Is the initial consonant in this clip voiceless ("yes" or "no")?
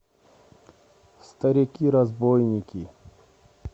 yes